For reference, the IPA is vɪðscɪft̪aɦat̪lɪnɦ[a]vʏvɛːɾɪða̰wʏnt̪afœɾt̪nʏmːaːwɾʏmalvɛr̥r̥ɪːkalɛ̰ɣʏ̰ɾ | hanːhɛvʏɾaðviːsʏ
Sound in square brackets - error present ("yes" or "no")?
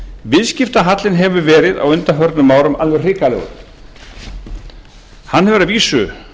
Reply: yes